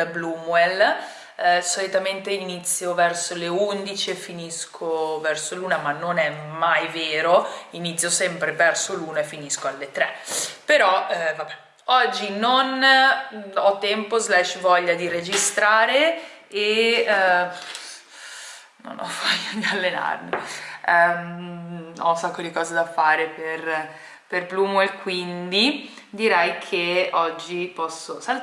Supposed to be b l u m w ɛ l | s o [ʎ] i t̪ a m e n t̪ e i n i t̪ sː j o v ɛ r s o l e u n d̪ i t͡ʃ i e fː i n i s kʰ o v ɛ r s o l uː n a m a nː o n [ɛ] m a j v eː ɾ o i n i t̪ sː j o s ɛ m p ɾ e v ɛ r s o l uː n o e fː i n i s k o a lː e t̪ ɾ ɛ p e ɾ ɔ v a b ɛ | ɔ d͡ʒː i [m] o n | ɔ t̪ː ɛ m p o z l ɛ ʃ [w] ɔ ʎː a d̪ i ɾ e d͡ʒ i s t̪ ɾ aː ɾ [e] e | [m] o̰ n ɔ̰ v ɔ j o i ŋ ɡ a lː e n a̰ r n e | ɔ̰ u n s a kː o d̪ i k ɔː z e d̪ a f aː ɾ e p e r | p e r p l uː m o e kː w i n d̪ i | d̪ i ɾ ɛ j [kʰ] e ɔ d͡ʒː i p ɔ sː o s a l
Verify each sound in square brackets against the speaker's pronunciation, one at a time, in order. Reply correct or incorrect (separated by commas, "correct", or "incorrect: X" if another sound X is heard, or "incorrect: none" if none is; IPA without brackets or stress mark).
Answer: incorrect: l, correct, incorrect: n, incorrect: v, correct, incorrect: n, correct